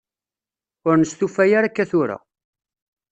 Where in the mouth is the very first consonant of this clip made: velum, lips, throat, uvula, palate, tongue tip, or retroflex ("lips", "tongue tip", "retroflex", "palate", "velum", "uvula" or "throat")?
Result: tongue tip